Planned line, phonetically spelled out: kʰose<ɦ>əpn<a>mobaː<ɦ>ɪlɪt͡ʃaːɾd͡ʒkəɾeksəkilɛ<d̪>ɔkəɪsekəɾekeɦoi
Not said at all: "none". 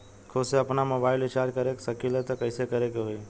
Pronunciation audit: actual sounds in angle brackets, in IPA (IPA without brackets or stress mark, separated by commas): none, a, none, t̪